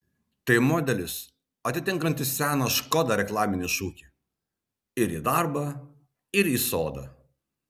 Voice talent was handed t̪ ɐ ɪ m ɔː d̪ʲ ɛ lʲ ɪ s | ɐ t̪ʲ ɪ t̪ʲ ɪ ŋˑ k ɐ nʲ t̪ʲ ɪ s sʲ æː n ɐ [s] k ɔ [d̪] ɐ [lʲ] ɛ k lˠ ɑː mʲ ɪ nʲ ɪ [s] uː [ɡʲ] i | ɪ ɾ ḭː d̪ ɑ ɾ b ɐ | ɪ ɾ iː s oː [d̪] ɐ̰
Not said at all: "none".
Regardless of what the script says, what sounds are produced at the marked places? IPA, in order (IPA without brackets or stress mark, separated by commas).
ʃ, d̪, ɾʲ, ʃ, kʲ, d̪